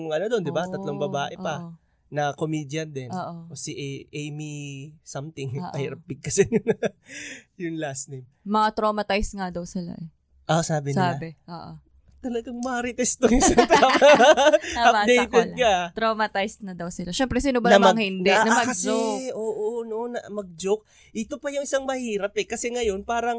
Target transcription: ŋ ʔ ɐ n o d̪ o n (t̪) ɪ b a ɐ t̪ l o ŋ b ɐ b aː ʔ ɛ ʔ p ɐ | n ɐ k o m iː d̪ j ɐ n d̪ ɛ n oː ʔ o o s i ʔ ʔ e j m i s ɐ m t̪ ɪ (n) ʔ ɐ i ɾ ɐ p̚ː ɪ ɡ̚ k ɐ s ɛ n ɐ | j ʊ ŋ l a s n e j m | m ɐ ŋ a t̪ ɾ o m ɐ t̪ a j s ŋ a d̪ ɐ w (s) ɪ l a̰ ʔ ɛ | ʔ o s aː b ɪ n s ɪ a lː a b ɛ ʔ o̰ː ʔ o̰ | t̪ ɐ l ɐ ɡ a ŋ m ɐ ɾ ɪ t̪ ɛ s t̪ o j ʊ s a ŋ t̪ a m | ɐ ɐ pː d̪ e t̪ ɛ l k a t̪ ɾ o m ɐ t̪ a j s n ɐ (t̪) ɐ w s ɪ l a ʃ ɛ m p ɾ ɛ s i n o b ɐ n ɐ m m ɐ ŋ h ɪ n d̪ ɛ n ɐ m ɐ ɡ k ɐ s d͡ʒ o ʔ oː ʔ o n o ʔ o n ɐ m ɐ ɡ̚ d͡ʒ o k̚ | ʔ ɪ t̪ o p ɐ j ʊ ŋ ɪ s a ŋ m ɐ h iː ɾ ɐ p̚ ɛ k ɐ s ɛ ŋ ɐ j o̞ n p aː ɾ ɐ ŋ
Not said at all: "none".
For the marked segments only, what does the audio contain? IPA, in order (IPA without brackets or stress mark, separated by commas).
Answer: d̪, ŋ, s, d̪